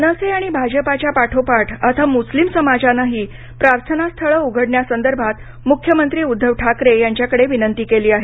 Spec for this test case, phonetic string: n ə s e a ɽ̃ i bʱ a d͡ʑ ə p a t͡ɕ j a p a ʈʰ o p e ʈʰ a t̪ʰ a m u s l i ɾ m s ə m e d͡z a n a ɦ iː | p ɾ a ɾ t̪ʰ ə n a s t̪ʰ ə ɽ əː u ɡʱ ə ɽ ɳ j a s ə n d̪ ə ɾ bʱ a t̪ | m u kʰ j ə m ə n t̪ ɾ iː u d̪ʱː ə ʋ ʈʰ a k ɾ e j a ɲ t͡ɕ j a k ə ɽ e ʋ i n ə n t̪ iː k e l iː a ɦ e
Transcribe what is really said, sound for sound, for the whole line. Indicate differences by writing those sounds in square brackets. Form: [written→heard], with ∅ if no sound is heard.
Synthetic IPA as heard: n ə s e a ɽ̃ i bʱ a d͡ʑ ə p a t͡ɕ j a p a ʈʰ o p [e→a] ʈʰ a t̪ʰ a m u s l i [ɾ→∅] m s ə m [e→a] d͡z a n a ɦ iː | p ɾ a ɾ t̪ʰ ə n a s t̪ʰ ə [ɽ→ɭ] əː u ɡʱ ə ɽ ɳ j a s ə n d̪ ə ɾ bʱ a t̪ | m u kʰ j ə m ə n t̪ ɾ iː u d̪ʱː ə ʋ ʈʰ a k ɾ e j a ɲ t͡ɕ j a k ə ɽ e ʋ i n ə n t̪ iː k e l iː a ɦ e

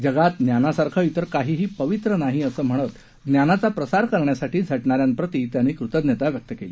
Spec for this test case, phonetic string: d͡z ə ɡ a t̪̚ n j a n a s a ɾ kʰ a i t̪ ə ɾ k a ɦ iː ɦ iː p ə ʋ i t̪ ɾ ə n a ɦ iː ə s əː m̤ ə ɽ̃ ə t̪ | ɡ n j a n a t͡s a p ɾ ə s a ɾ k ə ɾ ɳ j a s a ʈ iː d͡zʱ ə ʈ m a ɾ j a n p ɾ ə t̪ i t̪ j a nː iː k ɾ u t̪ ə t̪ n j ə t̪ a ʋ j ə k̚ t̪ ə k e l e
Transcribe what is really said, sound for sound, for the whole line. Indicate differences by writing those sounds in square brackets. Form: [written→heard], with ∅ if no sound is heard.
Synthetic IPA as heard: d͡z ə ɡ a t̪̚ n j a n a s a ɾ kʰ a i t̪ ə ɾ k a ɦ iː ɦ iː p ə ʋ i t̪ ɾ ə n a ɦ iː ə s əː m̤ ə ɽ̃ ə t̪ | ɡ n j a n a t͡s a p ɾ ə s a ɾ k ə ɾ ɳ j a s a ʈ iː d͡zʱ ə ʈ [m→ɳ] a ɾ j a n p ɾ ə t̪ i t̪ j a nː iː k ɾ u t̪ ə [t̪→d̪] n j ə t̪ a ʋ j ə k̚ t̪ ə k e l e

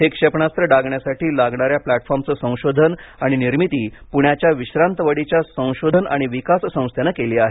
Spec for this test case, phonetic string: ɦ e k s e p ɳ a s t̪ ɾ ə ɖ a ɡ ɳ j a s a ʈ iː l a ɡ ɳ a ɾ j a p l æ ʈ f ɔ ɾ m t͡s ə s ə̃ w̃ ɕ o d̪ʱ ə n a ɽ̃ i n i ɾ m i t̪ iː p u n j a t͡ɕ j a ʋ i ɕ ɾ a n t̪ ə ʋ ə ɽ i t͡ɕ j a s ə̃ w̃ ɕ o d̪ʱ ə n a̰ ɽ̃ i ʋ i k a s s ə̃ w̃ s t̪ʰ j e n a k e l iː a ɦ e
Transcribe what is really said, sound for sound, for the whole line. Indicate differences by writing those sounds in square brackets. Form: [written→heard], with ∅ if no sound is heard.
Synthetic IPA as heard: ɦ e k [s→ʂ] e p ɳ a s t̪ ɾ ə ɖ a ɡ ɳ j a s a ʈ iː l a ɡ ɳ a ɾ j a p l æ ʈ f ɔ ɾ m t͡s ə s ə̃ w̃ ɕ o d̪ʱ ə n a ɽ̃ i n i ɾ m i t̪ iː p u [n→ɳ] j a t͡ɕ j a ʋ i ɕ ɾ a n t̪ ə ʋ ə ɽ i t͡ɕ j a s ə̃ w̃ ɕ o d̪ʱ ə n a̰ ɽ̃ i ʋ i k a s s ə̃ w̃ s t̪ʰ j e n a k e l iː a ɦ e

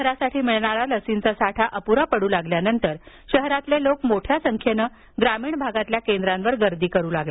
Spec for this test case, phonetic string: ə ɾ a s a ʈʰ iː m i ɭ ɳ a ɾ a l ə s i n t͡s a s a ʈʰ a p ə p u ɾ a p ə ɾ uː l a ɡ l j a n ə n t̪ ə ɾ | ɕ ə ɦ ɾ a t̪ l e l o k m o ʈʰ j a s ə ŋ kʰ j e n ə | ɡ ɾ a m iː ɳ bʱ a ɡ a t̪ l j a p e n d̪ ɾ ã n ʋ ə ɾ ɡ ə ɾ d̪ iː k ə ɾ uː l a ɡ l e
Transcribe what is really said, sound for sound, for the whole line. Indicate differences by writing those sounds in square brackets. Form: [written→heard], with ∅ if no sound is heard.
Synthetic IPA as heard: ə ɾ a s a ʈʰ iː m i ɭ ɳ a ɾ a l ə s i n t͡s a s a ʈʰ a [p→ʔ] ə p u ɾ a p ə [ɾ→ɽ] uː l a ɡ l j a n ə n t̪ ə ɾ | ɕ ə ɦ ɾ a t̪ l e l o k m o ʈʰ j a s ə ŋ kʰ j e n ə | ɡ ɾ a m iː ɳ bʱ a ɡ a t̪ l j a [p→k] e n d̪ ɾ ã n ʋ ə ɾ ɡ ə ɾ d̪ iː k ə ɾ uː l a ɡ l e

